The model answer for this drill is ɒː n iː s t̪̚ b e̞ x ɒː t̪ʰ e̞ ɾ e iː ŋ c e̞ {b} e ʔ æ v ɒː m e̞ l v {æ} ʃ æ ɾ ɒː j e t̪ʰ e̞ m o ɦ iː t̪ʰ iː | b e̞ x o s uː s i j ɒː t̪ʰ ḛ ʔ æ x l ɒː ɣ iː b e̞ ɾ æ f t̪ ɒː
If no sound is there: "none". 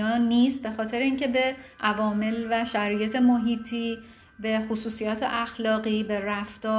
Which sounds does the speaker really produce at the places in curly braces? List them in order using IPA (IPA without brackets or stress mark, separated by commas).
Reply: b, æ